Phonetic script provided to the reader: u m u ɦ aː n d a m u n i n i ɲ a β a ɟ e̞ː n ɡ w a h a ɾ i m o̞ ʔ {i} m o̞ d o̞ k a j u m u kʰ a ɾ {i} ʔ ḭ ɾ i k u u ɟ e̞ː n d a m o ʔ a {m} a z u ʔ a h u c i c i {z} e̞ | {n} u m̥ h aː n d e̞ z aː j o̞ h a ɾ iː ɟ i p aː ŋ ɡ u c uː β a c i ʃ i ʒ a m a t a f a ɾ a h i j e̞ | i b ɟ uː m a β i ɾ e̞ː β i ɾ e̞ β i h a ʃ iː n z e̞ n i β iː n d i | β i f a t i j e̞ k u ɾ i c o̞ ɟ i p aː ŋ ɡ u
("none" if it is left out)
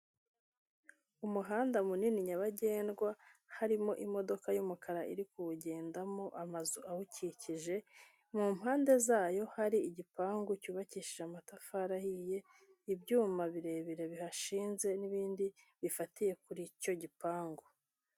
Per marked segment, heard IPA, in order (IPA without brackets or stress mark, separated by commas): i, a, m, ʒ, m